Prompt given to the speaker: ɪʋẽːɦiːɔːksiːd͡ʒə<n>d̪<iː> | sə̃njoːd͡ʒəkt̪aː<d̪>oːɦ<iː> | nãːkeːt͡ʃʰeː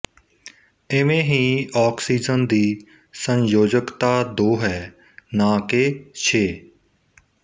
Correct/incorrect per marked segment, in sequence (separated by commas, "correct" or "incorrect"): correct, correct, correct, incorrect